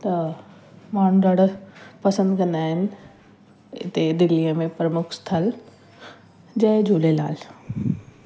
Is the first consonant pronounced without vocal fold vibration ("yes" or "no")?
yes